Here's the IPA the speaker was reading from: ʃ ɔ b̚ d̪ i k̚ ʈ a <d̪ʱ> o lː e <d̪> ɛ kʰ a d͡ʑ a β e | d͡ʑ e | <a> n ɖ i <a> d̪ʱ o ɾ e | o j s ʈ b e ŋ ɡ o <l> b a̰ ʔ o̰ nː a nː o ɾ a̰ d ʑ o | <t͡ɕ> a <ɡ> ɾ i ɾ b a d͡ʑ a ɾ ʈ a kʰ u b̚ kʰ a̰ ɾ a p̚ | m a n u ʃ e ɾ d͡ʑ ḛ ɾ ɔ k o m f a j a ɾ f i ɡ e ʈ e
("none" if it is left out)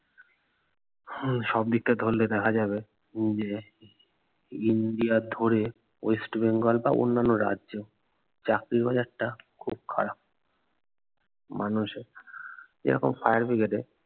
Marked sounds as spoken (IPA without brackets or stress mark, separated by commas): d̪ʱ, d̪, i, a, l, t͡ɕ, k